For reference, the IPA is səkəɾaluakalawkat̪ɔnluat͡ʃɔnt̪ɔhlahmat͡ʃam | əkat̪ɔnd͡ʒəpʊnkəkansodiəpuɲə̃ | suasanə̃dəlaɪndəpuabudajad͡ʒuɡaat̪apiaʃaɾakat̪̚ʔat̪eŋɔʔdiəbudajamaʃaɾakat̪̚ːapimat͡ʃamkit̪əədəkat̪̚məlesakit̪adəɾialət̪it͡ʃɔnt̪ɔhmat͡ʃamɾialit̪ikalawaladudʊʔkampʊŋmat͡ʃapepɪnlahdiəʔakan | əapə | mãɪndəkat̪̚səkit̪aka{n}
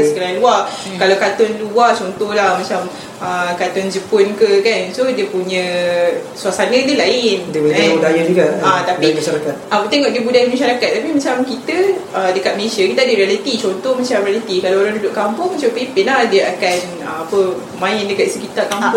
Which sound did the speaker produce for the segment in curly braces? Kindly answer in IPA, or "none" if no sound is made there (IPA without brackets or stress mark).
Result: m